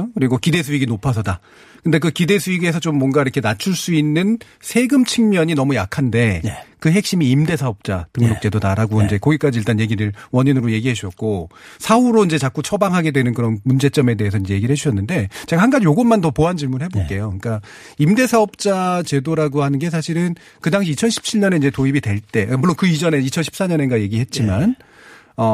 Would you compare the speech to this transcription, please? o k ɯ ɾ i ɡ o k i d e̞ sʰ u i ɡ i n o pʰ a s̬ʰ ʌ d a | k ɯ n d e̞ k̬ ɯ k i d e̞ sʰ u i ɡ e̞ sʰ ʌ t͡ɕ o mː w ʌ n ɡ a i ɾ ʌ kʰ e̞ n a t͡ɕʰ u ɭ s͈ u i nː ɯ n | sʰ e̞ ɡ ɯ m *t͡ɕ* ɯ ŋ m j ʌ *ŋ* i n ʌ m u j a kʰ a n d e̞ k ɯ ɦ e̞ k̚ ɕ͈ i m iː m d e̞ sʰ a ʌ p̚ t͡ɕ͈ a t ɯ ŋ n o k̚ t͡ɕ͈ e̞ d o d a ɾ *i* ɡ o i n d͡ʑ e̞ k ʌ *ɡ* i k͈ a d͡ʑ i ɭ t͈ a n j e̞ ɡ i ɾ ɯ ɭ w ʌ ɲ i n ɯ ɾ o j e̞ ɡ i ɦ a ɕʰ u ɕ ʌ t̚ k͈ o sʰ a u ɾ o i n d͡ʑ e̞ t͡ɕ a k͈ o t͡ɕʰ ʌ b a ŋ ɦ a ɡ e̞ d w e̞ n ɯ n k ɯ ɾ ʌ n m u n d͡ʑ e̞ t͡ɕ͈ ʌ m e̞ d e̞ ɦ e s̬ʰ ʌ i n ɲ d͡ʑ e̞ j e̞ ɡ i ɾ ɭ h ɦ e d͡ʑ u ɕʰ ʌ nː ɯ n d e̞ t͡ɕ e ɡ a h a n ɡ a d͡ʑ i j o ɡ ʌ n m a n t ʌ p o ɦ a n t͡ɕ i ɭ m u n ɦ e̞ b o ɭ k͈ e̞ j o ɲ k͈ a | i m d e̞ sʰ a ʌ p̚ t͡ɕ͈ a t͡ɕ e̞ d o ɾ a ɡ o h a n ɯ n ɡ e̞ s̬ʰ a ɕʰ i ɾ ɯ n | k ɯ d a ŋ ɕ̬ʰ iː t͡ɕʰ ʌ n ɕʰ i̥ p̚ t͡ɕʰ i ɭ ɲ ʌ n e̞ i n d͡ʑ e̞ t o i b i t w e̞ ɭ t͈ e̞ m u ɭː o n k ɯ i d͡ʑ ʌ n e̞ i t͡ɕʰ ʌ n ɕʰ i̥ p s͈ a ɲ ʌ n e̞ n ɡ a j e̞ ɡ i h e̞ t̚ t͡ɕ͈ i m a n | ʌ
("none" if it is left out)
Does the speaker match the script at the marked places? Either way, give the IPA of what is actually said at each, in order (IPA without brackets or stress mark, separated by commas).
t͡ɕʰ, ɲ, a, ɡ